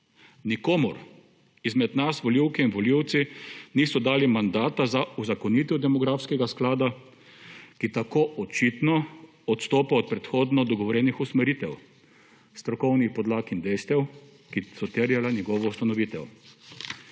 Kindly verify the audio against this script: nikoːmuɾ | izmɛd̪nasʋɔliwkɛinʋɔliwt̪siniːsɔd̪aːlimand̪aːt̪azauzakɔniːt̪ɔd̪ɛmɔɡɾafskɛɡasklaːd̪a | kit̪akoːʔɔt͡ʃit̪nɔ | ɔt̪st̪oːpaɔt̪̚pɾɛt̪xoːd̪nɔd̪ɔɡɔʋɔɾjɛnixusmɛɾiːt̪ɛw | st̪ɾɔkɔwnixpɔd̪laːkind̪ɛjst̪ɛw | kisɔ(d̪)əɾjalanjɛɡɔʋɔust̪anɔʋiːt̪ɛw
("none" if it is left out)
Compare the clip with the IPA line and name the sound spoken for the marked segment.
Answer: t̪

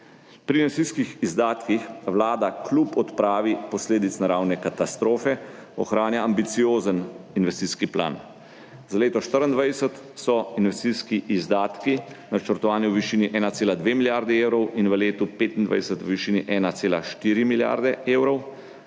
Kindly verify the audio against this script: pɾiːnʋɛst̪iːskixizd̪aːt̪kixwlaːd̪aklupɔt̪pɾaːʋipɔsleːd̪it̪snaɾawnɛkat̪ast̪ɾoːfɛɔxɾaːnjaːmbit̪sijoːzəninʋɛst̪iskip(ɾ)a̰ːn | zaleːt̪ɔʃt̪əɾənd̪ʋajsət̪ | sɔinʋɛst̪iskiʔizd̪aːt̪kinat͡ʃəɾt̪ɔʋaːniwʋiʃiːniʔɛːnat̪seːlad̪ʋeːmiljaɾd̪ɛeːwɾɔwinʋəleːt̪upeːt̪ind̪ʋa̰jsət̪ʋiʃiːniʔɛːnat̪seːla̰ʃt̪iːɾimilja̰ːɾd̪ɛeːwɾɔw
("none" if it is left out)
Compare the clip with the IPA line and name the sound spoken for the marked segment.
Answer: l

